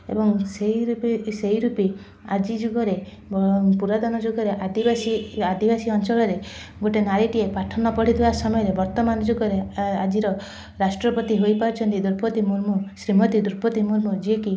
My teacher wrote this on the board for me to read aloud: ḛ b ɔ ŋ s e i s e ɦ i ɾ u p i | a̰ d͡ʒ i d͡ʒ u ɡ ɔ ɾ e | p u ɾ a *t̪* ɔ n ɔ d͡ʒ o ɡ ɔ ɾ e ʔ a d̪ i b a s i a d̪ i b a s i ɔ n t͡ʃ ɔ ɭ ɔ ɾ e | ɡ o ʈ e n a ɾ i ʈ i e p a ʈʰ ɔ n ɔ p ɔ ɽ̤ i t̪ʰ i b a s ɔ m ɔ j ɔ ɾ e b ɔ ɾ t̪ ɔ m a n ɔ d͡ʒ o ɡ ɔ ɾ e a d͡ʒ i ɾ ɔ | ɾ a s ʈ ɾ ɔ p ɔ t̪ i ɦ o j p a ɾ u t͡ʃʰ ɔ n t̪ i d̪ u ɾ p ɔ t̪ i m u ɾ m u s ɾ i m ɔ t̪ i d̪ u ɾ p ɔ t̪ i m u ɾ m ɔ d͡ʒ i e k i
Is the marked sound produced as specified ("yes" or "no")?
no